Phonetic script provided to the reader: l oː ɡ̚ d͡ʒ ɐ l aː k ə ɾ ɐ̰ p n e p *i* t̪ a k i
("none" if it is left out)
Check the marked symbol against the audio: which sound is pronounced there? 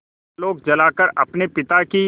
ɪ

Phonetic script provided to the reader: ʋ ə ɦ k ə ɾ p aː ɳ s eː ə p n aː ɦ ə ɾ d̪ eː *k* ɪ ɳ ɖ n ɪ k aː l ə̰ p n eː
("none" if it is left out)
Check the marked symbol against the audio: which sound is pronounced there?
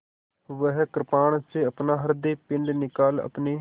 p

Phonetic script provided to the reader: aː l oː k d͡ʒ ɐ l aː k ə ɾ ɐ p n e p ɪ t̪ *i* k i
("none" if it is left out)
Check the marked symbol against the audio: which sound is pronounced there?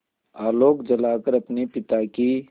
a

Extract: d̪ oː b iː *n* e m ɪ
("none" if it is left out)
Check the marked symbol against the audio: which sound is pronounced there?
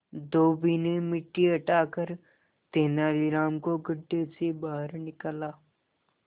n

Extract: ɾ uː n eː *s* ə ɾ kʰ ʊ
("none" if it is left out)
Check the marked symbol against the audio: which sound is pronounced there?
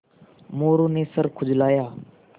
s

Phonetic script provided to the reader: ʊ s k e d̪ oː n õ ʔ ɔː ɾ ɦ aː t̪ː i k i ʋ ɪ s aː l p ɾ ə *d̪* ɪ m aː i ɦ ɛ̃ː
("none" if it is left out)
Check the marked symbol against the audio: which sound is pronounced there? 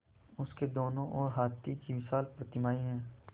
t̪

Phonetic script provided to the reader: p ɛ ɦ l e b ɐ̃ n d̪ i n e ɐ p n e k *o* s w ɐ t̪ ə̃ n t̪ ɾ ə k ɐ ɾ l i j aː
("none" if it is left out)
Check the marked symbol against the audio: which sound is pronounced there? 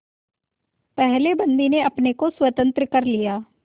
o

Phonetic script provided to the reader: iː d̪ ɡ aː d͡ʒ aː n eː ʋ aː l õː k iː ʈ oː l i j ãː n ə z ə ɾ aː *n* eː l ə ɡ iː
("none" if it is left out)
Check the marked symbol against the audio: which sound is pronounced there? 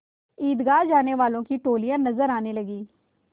n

